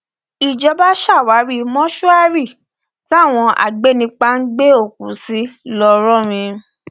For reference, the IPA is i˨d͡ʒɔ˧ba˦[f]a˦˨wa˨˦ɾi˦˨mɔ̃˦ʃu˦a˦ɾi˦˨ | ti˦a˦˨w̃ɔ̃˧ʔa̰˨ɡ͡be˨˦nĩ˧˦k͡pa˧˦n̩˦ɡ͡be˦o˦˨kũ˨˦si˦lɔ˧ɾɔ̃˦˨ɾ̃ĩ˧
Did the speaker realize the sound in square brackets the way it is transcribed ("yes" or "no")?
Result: no